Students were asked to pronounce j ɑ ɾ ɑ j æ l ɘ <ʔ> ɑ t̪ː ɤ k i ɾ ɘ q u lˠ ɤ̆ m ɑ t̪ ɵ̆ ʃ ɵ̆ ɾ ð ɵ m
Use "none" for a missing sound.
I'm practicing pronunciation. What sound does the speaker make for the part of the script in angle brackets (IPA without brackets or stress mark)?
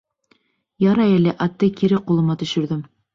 ʔ